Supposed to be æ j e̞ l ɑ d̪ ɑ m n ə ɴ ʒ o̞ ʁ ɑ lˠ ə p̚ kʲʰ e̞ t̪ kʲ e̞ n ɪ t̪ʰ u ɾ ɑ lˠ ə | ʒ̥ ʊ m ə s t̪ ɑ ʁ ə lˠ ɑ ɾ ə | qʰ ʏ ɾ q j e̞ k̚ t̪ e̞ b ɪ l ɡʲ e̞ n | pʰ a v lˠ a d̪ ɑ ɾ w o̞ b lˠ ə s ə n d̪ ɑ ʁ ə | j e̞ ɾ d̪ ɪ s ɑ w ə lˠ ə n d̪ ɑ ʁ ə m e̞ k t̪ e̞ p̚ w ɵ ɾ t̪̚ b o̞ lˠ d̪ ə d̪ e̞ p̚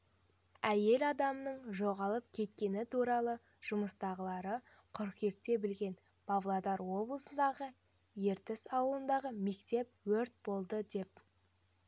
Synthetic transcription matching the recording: æ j e̞ l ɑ d̪ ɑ m n ə ɴ ʒ o̞ ʁ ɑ lˠ ə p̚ kʲʰ e̞ t̪ kʲ e̞ n ɪ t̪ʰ u ɾ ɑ lˠ ə | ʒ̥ ʊ m ə s t̪ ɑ ʁ ə lˠ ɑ ɾ ə | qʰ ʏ ɾ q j e̞ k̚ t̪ e̞ b ɪ l ɡʲ e̞ n | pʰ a v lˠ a d̪ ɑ ɾ w o̞ b lˠ ə s ə n d̪ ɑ ʁ ə | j e̞ ɾ t̪ ɪ s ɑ w ə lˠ ə n d̪ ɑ ʁ ə m e̞ k t̪ e̞ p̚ w ɵ ɾ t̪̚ b o̞ lˠ d̪ ə d̪ e̞ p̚